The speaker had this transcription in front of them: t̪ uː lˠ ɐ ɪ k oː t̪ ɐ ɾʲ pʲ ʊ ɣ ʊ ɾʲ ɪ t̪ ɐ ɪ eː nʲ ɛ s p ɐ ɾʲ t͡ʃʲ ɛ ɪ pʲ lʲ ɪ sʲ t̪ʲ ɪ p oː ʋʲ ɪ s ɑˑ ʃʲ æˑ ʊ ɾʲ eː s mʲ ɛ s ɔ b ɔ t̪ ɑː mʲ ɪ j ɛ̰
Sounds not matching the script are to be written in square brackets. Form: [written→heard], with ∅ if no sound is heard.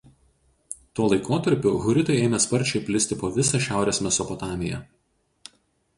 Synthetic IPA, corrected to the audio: t̪ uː lˠ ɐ ɪ k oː t̪ ɐ ɾʲ pʲ ʊ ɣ ʊ ɾʲ ɪ t̪ ɐ ɪ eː [nʲ→mʲ] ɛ s p ɐ ɾʲ t͡ʃʲ ɛ ɪ pʲ lʲ ɪ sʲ t̪ʲ ɪ p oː ʋʲ ɪ s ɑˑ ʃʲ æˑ ʊ ɾʲ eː s mʲ ɛ s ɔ [b→p] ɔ t̪ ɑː mʲ ɪ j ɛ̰